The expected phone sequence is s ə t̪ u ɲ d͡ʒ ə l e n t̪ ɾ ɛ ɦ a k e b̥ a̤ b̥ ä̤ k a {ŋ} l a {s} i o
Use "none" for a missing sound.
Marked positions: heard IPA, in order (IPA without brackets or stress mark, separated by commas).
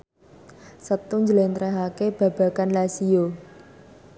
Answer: n, s